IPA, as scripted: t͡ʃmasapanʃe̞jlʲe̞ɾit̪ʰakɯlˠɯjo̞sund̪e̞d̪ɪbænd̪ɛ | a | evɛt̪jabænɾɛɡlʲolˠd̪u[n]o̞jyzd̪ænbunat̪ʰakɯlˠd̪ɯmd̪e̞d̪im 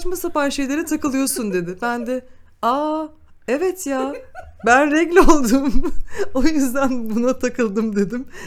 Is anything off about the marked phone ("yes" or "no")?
yes